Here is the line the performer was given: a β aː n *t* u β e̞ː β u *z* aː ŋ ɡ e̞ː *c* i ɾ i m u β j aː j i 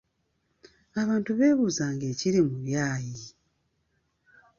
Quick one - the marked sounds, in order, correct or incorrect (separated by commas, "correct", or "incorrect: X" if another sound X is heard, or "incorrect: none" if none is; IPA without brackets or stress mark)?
correct, correct, correct